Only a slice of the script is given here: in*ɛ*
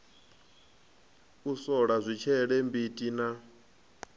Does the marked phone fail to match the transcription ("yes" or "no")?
yes